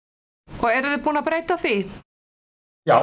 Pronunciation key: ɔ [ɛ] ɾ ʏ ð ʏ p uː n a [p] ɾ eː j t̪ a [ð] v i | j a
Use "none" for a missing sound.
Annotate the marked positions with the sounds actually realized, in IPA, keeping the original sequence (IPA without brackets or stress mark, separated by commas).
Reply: ɛ, p, θ